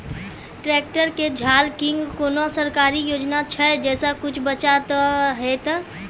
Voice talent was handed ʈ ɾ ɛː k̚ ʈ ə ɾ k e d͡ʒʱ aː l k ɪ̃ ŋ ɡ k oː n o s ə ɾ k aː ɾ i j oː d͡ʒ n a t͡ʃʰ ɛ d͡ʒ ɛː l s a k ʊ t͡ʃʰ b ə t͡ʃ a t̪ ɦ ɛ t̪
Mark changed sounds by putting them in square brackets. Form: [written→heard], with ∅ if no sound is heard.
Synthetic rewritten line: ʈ ɾ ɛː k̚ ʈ ə ɾ k e d͡ʒʱ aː l k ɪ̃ ŋ ɡ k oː n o s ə ɾ k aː ɾ i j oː d͡ʒ n a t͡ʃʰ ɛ d͡ʒ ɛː [l→∅] s a k ʊ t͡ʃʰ b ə t͡ʃ a t̪ ɦ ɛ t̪